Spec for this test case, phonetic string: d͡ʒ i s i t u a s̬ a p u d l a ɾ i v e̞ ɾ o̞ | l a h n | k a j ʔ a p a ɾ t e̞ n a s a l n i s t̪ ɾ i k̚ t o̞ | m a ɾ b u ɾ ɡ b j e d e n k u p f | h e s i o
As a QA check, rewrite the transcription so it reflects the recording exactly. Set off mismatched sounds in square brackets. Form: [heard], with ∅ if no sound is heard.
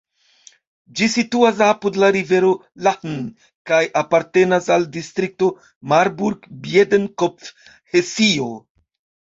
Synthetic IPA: d͡ʒ i s i t u a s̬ a p u d l a ɾ i v e̞ ɾ o̞ | l a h n | k a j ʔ a p a ɾ t e̞ n a s a l [d] i s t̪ ɾ i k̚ t o̞ | m a ɾ b u ɾ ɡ b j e d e n k [o] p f | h e s i o

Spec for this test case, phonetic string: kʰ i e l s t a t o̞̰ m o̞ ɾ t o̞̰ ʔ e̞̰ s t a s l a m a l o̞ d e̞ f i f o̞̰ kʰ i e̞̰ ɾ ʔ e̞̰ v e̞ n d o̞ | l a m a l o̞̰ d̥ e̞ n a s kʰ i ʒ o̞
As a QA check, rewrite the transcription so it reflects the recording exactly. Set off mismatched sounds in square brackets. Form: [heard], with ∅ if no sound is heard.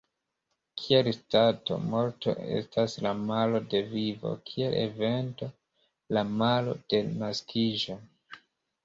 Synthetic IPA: kʰ i e l s t a t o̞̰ m o̞ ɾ t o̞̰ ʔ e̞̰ s t a s l a m a l o̞ d e̞ [v] i [v] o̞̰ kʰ i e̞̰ [l] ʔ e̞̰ v e̞ n [t] o̞ | l a m a l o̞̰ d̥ e̞ n a s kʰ i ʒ o̞

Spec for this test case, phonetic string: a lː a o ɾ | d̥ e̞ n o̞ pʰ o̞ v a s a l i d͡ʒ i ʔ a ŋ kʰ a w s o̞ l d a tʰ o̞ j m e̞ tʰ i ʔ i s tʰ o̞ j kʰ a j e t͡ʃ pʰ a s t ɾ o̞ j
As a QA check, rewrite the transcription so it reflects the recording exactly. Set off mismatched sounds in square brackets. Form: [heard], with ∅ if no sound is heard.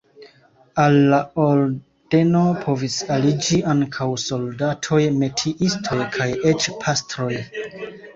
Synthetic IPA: a lː a o ɾ | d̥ e̞ n o̞ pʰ o̞ v [i] s a l i d͡ʒ i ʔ a ŋ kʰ a w s o̞ l d a tʰ o̞ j m e̞ tʰ i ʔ i s tʰ o̞ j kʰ a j e t͡ʃ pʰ a s t ɾ o̞ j

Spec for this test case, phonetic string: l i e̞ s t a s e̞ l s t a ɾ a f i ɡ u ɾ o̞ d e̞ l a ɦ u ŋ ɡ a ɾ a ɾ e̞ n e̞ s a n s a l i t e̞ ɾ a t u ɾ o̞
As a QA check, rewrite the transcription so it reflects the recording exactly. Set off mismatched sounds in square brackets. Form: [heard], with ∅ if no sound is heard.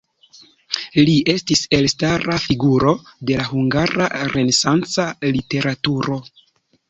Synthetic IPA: l i e̞ s t [i] s e̞ l s t a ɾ a f i ɡ u ɾ o̞ d e̞ l a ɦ u ŋ ɡ a ɾ a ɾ e̞ n e̞ s a n [t͡s] a l i t e̞ ɾ a t u ɾ o̞

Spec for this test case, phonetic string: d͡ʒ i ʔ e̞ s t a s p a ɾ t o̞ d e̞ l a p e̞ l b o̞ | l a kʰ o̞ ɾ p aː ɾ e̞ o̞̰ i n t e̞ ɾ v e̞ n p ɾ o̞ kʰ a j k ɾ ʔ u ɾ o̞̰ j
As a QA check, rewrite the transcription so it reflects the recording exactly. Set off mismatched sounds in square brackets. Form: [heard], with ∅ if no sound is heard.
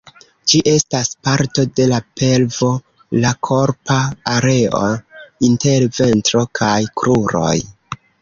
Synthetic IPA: d͡ʒ i ʔ e̞ s t a s p a ɾ t o̞ d e̞ l a p e̞ l [v] o̞ | l a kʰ o̞ ɾ p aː ɾ e̞ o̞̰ i n t e̞ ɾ v e̞ n [t] ɾ o̞ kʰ a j k ɾ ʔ u ɾ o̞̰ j

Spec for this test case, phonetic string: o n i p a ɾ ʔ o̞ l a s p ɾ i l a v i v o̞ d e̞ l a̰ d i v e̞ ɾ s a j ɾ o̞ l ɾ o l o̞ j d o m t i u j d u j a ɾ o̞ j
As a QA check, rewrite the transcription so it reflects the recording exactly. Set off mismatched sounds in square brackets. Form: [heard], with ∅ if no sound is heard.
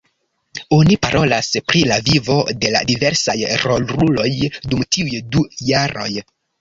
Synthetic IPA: o n i p a ɾ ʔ o̞ l a s p ɾ i l a v i v o̞ d e̞ l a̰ d i v e̞ ɾ s a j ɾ o̞ l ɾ [u] l o̞ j d [u] m t i u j d u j a ɾ o̞ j

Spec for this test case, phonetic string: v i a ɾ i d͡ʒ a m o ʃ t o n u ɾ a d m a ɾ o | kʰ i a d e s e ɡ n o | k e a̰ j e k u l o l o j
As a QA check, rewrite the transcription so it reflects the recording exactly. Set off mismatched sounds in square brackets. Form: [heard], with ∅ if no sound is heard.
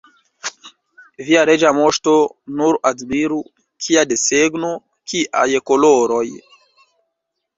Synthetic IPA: v i a ɾ [e] d͡ʒ a m o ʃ t o n u ɾ a d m [i] ɾ [u] | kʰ i a d e s e ɡ n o | k [i] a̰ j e k [o] l o [ɾ] o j

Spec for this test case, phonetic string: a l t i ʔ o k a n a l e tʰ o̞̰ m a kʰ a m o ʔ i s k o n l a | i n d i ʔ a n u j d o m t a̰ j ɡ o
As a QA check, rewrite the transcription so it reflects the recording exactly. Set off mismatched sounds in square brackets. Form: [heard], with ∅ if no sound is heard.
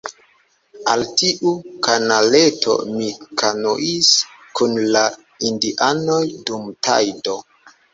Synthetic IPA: a l t i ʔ [u] k a n a l e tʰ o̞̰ m [i] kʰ a [n] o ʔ i s k [u] n l a | i n d i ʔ a n [o] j d [u] m t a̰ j [d] o

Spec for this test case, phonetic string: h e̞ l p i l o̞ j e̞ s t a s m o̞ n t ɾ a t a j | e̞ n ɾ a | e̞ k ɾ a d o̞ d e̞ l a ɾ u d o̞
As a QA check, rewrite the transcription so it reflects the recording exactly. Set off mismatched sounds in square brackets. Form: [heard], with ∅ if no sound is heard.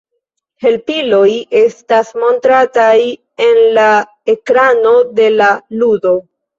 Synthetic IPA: h e̞ l p i l o̞ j e̞ s t a s m o̞ n t ɾ a t a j | e̞ n [l] a | e̞ k ɾ a [n] o̞ d e̞ l a [l] u d o̞

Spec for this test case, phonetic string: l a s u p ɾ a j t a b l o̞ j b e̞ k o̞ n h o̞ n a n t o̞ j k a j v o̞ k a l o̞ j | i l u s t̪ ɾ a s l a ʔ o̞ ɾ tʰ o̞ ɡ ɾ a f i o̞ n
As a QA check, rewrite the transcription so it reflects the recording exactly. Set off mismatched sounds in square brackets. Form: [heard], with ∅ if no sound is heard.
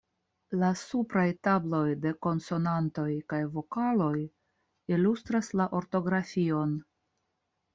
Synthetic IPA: l a s u p ɾ a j t a b l o̞ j [d] e̞ k o̞ n [s] o̞ n a n t o̞ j k a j v o̞ k a l o̞ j | i l u s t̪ ɾ a s l a ʔ o̞ ɾ [t] o̞ ɡ ɾ a f i o̞ n

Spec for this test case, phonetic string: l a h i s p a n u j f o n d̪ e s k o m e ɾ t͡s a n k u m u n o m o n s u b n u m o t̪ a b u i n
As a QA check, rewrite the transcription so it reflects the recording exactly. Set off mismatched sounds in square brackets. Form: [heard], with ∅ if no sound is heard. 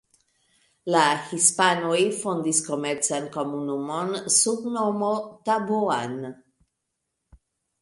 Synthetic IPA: l a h i s p a n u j f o n d̪ [i] s k o m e ɾ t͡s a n k [o] m u n [u] m o n s u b n [o] m o t̪ a b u [a] n

